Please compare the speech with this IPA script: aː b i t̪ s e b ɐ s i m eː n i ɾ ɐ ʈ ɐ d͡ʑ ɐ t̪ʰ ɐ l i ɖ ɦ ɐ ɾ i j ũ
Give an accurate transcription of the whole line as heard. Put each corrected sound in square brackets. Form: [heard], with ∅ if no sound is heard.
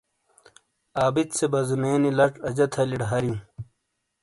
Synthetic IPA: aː b i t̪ s e b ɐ [z] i m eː n i [l] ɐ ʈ ɐ d͡ʑ ɐ t̪ʰ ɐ l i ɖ ɦ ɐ ɾ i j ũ

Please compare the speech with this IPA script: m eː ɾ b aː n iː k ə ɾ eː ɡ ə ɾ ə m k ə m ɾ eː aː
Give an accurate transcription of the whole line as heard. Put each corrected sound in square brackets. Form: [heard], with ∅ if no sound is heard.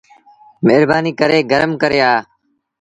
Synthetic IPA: m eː ɾ b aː n iː k ə ɾ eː ɡ ə ɾ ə m k ə [∅] ɾ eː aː

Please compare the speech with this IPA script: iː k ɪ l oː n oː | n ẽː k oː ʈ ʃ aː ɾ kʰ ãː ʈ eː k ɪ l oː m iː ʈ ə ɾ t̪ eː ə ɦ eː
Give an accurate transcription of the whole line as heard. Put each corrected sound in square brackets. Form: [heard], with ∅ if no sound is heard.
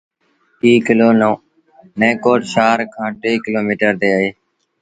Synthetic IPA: iː k ɪ l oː n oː | n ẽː k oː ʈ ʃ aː ɾ kʰ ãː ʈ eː k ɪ l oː m iː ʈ ə ɾ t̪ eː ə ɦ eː

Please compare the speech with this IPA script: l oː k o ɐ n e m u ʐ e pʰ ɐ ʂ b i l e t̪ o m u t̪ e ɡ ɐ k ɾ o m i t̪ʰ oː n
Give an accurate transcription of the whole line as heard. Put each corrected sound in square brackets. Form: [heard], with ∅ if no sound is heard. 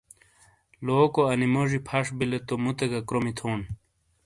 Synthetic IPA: l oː k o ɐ n [i] m [o] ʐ [i] pʰ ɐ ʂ b i l e t̪ o m u t̪ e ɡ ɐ k ɾ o m i t̪ʰ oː n

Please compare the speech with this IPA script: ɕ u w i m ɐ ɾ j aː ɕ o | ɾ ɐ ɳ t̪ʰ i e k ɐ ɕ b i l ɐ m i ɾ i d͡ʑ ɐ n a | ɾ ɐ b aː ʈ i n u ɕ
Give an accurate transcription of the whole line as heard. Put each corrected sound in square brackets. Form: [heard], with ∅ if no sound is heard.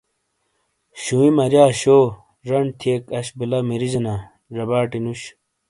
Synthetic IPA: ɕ u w i m ɐ ɾ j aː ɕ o | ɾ ɐ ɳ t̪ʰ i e k ɐ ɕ b i l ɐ m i ɾ i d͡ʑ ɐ n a | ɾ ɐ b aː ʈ i n u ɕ

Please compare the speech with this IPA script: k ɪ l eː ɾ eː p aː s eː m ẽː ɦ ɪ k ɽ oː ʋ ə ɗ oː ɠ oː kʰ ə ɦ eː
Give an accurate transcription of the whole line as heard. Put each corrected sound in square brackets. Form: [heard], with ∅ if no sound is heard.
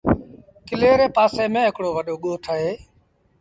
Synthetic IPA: k ɪ l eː ɾ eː p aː s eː m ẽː ɦ ɪ k ɽ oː ʋ ə ɗ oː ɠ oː [ʈʰ] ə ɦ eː

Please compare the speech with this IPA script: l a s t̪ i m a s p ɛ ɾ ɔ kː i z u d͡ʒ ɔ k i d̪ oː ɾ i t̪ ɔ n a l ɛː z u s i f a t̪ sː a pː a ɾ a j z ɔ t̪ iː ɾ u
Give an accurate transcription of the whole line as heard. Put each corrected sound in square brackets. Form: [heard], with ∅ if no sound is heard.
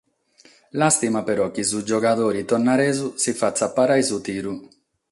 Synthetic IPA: l a s t̪ i m a [∅] p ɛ ɾ ɔ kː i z u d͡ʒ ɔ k [a] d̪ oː ɾ i t̪ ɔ n a [ɾ] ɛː z u s i f a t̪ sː a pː a ɾ a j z [u] t̪ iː ɾ u

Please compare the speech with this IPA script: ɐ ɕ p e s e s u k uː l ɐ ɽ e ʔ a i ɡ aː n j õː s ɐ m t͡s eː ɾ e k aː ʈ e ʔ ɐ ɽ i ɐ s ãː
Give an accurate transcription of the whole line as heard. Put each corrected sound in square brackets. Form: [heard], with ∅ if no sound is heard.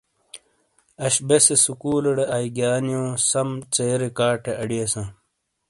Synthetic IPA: ɐ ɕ [b] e s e s u k uː l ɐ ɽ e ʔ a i ɡ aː n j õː s ɐ m t͡s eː ɾ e k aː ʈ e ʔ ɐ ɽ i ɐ s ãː

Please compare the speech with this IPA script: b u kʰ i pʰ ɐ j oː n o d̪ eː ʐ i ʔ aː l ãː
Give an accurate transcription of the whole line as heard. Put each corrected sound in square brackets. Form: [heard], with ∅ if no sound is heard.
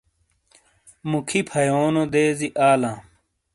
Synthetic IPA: [m] u kʰ i pʰ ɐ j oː n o d̪ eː [z] i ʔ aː l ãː

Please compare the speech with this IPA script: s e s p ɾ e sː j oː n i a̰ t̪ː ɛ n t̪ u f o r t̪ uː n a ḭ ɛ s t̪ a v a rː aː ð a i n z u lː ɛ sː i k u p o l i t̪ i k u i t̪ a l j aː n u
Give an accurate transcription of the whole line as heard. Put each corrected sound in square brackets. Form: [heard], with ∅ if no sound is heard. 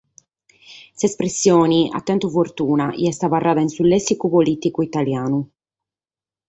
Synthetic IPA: s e s p ɾ e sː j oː n i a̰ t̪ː ɛ n t̪ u f o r t̪ uː n a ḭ ɛ s t̪ a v a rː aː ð a i n [s] u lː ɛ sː i k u p o l i t̪ i k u i t̪ a l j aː n u

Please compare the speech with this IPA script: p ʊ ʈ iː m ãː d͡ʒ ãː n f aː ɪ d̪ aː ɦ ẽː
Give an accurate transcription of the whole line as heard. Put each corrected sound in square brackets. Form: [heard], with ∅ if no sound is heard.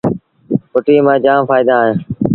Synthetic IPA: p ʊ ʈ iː m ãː d͡ʒ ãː [m] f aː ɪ d̪ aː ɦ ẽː

